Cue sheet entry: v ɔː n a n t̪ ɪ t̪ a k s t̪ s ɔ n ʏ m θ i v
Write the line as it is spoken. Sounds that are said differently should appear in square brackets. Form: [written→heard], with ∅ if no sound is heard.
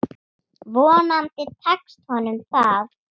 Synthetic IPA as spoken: v ɔː n a n t̪ ɪ [t̪→t̪ʰ] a k s t̪ [s→h] ɔ n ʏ m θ [i→a] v